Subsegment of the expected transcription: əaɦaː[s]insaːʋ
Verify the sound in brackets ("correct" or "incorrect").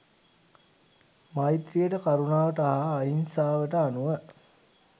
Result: incorrect